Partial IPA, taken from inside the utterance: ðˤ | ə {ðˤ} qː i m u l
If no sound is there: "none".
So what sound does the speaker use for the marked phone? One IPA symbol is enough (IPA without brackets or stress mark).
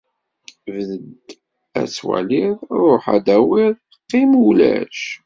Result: none